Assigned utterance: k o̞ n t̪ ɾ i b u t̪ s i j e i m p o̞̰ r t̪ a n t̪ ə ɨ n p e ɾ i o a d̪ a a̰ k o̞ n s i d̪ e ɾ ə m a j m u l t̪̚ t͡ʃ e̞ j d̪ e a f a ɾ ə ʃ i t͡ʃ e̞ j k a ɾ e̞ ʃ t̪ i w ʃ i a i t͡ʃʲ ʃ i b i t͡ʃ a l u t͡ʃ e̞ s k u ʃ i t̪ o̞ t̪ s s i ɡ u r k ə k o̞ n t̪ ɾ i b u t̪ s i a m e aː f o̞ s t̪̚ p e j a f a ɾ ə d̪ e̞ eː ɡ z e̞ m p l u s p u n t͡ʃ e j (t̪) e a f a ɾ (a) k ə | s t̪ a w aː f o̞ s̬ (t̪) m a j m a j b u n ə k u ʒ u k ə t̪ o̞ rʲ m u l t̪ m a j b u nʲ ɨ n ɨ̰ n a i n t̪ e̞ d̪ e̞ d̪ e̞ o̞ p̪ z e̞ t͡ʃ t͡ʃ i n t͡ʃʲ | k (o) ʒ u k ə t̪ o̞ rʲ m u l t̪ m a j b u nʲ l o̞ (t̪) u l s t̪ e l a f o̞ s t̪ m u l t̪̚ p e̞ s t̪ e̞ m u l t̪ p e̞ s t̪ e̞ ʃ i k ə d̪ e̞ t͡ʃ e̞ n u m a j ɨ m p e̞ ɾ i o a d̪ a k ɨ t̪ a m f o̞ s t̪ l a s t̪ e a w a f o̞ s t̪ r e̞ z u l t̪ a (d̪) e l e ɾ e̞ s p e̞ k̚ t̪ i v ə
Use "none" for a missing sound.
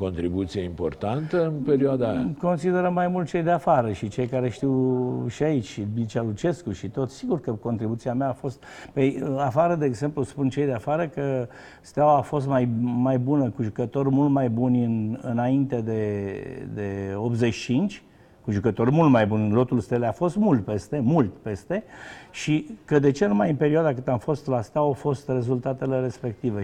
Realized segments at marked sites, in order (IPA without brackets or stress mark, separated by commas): d̪, ə, t̪, u, t̪, t̪